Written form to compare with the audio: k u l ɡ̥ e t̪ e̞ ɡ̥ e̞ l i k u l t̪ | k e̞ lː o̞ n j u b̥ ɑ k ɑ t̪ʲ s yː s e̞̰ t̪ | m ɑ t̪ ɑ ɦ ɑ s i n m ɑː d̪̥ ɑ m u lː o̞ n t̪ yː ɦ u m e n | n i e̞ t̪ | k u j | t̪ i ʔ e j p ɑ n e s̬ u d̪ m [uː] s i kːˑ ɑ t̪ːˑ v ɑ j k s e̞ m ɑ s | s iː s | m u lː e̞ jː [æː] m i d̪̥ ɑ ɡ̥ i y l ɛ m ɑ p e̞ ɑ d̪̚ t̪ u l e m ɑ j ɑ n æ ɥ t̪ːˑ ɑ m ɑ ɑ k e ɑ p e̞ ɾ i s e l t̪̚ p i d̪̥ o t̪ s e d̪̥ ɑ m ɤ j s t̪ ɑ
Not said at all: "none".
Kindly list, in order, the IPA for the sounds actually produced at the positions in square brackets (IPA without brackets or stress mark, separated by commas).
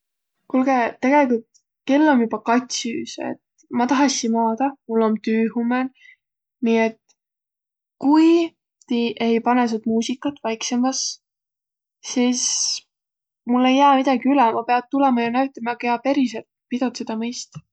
uː, æː